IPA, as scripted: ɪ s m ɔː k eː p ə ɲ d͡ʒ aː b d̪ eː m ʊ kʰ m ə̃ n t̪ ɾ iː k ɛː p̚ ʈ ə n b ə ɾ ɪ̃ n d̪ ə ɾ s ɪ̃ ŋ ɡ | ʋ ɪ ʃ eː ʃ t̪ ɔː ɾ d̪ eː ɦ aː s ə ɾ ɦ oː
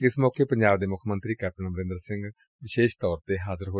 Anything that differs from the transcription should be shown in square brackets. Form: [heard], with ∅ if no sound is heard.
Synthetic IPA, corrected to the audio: ɪ s m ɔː k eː p ə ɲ d͡ʒ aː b d̪ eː m ʊ kʰ m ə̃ n t̪ ɾ iː k ɛː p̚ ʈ ə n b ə ɾ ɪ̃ n d̪ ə ɾ s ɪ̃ ŋ ɡ | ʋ ɪ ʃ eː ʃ t̪ ɔː ɾ [t̪] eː ɦ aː [z] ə ɾ ɦ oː